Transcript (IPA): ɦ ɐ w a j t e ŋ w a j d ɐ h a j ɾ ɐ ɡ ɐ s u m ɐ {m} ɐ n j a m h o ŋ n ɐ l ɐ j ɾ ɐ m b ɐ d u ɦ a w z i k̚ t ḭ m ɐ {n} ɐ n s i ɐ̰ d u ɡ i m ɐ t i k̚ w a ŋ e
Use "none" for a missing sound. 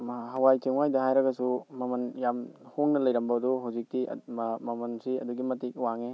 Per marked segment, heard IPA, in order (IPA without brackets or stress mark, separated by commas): m, m